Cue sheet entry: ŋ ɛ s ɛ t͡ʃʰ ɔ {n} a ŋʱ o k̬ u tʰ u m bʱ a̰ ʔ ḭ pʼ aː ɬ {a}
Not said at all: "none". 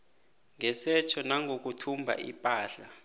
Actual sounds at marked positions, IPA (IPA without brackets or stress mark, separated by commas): n, a